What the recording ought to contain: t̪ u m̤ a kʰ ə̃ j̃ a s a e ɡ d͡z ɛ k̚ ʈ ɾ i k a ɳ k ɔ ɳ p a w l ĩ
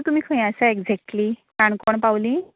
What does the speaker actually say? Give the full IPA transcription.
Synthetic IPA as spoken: t̪ u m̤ i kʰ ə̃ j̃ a s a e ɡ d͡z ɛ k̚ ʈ l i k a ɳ k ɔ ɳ p a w l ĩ